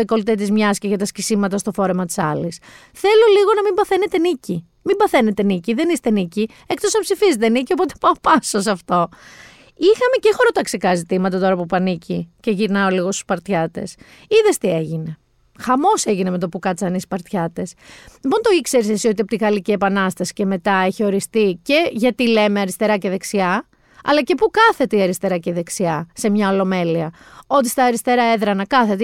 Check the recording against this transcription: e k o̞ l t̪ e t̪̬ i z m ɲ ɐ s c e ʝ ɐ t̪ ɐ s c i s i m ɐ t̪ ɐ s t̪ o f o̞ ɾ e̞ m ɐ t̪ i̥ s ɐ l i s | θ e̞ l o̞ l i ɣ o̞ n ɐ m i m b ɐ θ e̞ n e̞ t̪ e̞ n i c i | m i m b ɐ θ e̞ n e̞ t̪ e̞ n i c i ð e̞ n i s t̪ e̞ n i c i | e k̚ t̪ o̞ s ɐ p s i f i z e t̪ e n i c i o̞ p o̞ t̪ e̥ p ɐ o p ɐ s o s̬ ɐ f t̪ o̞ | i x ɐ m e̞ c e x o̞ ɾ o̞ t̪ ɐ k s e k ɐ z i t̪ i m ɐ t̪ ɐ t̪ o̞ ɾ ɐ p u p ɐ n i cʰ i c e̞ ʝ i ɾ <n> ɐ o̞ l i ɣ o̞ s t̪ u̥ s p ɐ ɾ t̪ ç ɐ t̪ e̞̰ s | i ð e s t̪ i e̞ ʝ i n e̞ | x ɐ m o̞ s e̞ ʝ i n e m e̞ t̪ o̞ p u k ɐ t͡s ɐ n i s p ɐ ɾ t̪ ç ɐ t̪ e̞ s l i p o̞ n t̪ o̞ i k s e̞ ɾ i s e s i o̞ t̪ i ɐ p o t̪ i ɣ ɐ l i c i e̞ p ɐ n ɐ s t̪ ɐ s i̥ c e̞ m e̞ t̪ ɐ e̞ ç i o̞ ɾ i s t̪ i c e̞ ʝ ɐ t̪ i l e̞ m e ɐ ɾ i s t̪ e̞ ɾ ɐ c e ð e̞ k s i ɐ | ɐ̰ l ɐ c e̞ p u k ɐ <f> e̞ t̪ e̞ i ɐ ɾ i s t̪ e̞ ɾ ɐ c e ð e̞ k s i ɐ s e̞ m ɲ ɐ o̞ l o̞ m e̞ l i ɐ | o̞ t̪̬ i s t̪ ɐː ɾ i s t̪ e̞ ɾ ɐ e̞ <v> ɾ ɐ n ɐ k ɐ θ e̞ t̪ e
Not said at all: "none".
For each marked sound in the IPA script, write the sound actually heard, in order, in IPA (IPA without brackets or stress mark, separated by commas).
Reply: n, θ, ð